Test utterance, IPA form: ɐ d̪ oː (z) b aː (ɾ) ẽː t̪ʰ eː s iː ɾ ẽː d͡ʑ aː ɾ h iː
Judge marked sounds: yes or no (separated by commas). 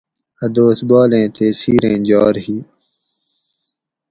no, no